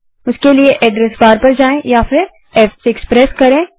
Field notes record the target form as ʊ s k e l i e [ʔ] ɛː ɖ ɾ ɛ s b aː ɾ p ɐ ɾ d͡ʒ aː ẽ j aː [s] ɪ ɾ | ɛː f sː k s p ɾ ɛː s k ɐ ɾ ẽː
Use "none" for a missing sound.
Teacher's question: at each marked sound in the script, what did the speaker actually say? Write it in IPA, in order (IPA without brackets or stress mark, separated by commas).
ʔ, f